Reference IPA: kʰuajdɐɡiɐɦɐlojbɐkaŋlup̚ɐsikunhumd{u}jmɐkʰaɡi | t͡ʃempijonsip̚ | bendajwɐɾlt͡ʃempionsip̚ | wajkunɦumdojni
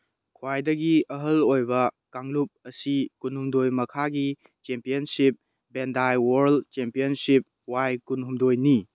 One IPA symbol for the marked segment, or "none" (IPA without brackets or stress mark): o